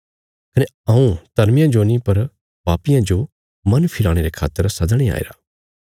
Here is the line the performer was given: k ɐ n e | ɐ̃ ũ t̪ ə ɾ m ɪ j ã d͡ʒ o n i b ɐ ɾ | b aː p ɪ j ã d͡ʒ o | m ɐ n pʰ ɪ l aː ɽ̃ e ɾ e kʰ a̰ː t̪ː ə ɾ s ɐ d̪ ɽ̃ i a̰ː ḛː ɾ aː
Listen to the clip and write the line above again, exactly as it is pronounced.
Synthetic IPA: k ɐ n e | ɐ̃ ũ t̪ ɐ ɾ m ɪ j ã d͡ʒ o n i p ɐ ɾ | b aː p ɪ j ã d͡ʒ o | m ɐ n pʰ ɪ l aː ɽ̃ e ɾ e kʰ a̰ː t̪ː ə ɾ s ɐ d̪ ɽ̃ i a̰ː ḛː ɾ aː